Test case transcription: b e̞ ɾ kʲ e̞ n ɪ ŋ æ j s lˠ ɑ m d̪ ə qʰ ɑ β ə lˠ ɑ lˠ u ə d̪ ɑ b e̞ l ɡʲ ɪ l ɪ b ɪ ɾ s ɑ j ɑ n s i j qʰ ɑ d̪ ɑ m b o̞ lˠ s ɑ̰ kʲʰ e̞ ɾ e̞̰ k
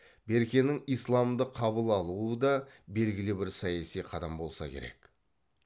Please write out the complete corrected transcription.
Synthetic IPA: b e̞ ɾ kʲ e̞ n ɪ ŋ i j s lˠ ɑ m d̪ ə qʰ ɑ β ə lˠ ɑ lˠ u ə d̪ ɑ b e̞ l ɡʲ ɪ l ɪ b ɪ ɾ s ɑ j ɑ s i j qʰ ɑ d̪ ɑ m b o̞ lˠ s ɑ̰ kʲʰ e̞ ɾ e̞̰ k

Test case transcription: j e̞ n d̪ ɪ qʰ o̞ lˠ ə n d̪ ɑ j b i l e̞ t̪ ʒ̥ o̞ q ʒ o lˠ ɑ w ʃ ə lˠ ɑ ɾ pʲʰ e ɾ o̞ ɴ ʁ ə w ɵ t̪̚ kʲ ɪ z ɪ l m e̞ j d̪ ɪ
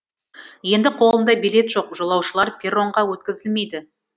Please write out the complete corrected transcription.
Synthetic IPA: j e̞ n d̪ ɪ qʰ o̞ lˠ ə n d̪ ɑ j b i l e̞ t̪ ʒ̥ o̞ q ʒ o lˠ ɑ w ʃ ə lˠ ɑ ɾ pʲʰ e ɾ o̞ ɴ ʁ ɑ w ɵ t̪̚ kʲ ɪ z ɪ l m e̞ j d̪ ɪ

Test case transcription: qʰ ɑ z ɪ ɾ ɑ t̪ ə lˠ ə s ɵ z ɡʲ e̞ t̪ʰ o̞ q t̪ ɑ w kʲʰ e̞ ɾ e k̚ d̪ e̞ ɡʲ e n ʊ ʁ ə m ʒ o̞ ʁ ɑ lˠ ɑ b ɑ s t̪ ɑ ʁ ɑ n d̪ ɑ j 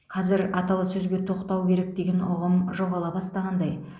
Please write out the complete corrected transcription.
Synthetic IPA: qʰ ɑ z ɪ ɾ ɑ t̪ ɑ lˠ ə s ɵ z ɡʲ e̞ t̪ʰ o̞ q t̪ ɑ w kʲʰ e̞ ɾ e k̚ d̪ e̞ ɡʲ e n ʊ ʁ ə m ʒ o̞ ʁ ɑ lˠ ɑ b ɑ s t̪ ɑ ʁ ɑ n d̪ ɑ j

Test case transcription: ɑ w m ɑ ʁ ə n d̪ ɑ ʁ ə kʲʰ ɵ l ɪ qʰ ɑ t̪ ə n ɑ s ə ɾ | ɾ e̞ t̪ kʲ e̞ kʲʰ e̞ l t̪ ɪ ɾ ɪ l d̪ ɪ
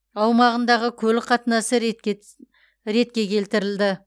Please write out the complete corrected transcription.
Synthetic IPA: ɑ w m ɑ ʁ ə n d̪ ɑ ʁ ə kʲʰ ɵ l ɪ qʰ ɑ t̪ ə n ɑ s ə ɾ | ɾ e̞ t̪ kʲ e̞ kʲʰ e̞ l t̪ ɪ ɾ ɪ l d̪ ɪ

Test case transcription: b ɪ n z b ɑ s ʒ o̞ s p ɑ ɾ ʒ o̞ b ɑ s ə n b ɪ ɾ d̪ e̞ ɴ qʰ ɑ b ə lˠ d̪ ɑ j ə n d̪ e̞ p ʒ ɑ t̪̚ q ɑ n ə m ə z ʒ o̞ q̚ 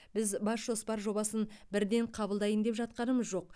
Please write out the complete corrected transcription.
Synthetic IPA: b ɪ z b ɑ s ʒ o̞ s p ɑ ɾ ʒ o̞ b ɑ s ə n b ɪ ɾ d̪ e̞ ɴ qʰ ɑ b ə lˠ d̪ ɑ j ə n d̪ e̞ p ʒ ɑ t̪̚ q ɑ n ə m ə z ʒ o̞ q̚

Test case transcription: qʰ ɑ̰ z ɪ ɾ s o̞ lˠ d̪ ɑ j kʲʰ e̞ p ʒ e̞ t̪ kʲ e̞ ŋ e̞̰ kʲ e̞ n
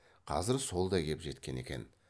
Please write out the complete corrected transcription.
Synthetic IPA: qʰ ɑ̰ z ɪ ɾ s o̞ lˠ d̪ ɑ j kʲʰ e̞ p ʒ e̞ t̪ kʲ e̞ n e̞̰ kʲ e̞ n

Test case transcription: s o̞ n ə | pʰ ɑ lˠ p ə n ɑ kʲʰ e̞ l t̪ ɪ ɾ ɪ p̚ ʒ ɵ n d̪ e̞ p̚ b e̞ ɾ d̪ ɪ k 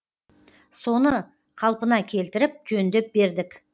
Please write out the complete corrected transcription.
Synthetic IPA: s o̞ n ə | qʰ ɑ lˠ p ə n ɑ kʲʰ e̞ l t̪ ɪ ɾ ɪ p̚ ʒ ɵ n d̪ e̞ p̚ b e̞ ɾ d̪ ɪ k

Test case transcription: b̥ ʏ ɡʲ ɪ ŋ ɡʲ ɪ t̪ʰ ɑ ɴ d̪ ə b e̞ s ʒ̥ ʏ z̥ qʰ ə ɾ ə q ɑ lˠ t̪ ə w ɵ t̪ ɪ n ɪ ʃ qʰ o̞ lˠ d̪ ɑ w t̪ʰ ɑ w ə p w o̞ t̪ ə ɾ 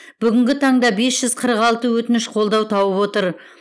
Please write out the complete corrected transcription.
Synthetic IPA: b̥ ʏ ɡʲ ɪ ŋ ɡʲ ɪ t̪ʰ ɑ ɴ d̪ ɑ b e̞ s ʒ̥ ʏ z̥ qʰ ə ɾ ə q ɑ lˠ t̪ ə w ɵ t̪ ɪ n ɪ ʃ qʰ o̞ lˠ d̪ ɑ w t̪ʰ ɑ w ə p w o̞ t̪ ə ɾ

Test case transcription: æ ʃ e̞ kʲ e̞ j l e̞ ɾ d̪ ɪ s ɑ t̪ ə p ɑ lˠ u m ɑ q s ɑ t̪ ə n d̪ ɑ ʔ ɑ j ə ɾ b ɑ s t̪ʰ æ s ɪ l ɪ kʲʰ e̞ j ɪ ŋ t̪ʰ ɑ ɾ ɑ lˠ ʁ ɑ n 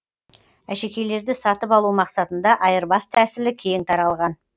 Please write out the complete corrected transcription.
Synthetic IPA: æ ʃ e̞ kʲ e̞ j l e̞ ɾ d̪ ɪ s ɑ t̪ ə p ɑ lˠ u m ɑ q s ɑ t̪ ə n d̪ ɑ ʔ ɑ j ə ɾ b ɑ s t̪ʰ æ s ɪ l ɪ kʲʰ e̞ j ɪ ŋ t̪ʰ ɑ ɾ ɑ lˠ ʁ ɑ n

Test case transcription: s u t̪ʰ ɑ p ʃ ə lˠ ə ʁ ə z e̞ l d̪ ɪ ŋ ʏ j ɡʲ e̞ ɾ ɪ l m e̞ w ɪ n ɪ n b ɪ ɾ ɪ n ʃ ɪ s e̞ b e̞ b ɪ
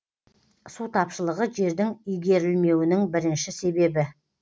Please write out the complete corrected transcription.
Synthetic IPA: s u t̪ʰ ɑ p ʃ ə lˠ ə ʁ ə ʒ e̞ ɾ d̪ ɪ ŋ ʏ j ɡʲ e̞ ɾ ɪ l m e̞ w ɪ n ɪ ŋ b ɪ ɾ ɪ n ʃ ɪ s e̞ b e̞ b ɪ

